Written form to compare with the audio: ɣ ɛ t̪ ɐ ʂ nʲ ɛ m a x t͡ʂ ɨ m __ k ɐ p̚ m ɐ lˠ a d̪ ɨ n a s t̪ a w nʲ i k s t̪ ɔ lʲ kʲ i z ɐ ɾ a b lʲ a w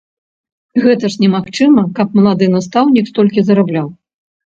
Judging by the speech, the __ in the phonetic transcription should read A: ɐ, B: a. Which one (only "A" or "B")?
A